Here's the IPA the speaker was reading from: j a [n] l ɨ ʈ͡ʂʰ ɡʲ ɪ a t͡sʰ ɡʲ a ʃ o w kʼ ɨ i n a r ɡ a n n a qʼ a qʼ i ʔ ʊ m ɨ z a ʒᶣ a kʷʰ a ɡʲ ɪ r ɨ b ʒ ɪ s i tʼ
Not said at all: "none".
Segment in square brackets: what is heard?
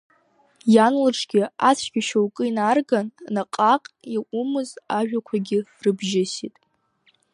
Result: n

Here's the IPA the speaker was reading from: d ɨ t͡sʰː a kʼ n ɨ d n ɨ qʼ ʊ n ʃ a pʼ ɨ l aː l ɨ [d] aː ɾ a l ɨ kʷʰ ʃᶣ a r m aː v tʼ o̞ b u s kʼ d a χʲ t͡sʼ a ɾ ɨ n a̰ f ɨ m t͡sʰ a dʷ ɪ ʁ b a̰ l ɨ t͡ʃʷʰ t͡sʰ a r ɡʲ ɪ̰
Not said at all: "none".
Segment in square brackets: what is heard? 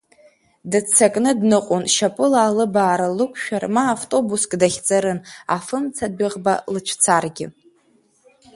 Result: b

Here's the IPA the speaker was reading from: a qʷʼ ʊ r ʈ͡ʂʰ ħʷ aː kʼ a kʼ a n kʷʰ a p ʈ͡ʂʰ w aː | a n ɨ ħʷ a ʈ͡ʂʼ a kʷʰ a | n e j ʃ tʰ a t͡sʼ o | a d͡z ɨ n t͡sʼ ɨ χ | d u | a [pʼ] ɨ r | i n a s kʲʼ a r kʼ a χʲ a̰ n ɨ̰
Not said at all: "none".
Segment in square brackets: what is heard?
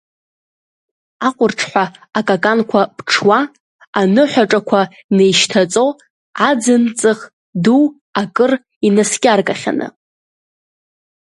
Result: kʼ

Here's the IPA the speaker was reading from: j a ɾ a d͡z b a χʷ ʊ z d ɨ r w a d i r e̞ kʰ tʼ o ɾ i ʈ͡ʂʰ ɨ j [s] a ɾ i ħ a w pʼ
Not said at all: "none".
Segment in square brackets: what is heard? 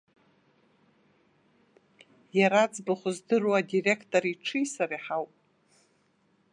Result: s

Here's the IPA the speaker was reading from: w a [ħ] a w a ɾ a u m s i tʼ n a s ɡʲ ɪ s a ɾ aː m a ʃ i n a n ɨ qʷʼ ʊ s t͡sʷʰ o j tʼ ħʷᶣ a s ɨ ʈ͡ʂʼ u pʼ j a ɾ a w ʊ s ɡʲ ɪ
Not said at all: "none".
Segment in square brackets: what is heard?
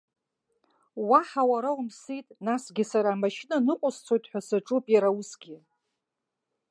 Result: ħ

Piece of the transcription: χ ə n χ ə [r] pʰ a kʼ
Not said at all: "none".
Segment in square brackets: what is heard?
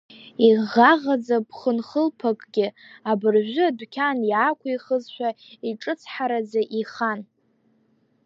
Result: l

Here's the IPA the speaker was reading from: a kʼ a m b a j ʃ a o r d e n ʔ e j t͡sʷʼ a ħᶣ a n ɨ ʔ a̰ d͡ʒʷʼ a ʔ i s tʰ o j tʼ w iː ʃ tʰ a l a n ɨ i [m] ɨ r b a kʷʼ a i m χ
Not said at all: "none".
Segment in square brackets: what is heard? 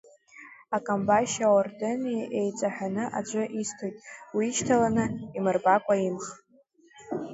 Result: m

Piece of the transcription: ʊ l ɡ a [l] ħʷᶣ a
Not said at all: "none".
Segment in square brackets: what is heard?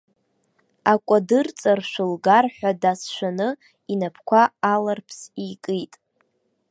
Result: r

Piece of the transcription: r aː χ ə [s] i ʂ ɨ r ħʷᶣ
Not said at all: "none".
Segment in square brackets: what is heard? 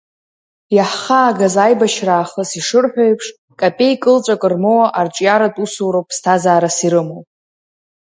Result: s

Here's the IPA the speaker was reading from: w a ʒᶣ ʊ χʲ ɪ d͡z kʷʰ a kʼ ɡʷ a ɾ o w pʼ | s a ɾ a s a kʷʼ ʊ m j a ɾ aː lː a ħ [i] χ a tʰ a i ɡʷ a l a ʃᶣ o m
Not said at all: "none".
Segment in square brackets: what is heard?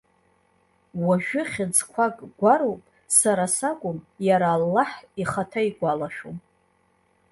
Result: i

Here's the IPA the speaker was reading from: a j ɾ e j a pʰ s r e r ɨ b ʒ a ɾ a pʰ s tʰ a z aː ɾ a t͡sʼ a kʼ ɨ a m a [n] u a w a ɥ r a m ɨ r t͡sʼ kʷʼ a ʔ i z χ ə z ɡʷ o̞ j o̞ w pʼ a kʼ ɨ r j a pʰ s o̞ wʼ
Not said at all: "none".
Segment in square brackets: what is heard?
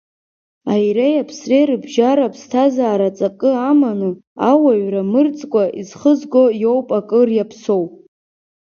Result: n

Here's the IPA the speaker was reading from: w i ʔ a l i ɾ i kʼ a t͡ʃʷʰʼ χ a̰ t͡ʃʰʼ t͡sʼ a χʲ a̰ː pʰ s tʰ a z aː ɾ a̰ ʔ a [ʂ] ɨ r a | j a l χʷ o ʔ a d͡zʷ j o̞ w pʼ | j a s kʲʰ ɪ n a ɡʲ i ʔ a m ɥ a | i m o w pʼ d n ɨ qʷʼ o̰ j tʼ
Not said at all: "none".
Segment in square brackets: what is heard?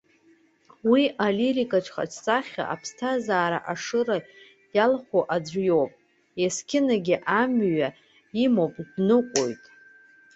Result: ʂ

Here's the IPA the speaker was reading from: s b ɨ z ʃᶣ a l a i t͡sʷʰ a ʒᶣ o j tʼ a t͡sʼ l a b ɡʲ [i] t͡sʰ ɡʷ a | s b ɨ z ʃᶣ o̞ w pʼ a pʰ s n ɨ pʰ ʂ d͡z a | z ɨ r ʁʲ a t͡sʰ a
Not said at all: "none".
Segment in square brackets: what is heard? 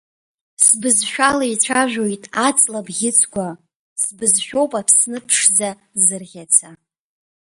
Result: ɪ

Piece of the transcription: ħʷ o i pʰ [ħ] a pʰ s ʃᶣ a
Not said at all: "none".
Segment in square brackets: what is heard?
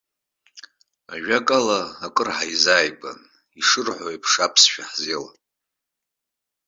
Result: ʂ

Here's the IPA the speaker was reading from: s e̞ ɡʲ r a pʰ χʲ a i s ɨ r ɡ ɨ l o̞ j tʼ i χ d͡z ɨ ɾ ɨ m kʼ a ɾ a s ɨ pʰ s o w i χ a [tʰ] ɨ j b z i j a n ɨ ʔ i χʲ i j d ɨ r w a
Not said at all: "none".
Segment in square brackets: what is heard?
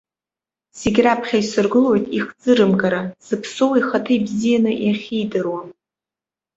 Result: tʰ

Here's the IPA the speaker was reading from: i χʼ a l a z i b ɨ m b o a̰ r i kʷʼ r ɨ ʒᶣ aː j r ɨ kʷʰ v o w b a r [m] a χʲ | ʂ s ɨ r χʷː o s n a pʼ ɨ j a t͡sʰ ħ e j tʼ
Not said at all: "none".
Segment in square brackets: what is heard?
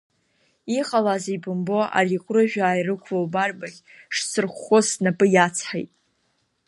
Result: b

